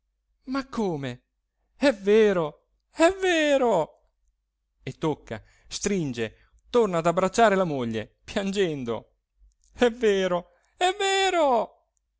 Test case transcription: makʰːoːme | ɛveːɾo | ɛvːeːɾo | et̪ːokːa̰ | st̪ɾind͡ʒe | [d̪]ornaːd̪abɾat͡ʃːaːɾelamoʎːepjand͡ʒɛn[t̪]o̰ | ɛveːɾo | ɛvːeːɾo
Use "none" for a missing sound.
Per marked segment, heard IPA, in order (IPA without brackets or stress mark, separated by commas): t̪, d̪